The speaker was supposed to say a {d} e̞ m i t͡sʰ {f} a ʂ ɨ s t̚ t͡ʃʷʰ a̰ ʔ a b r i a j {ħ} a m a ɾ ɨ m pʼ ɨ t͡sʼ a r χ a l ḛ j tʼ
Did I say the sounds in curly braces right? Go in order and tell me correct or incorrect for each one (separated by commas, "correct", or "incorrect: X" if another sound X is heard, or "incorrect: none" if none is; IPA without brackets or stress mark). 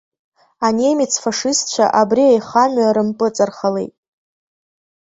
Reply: incorrect: n, correct, incorrect: χ